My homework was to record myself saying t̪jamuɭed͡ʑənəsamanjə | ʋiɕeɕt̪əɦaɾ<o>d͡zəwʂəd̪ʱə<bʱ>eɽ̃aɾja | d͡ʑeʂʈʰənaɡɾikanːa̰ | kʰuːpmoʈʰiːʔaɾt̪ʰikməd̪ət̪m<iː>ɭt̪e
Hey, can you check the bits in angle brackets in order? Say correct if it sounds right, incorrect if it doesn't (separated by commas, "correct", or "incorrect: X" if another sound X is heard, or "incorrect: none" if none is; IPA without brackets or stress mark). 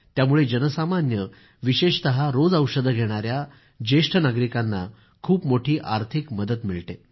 correct, incorrect: ɡʱ, incorrect: i